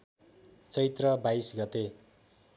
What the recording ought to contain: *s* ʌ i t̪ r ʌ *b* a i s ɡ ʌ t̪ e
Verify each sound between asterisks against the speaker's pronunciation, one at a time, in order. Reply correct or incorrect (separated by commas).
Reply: incorrect, correct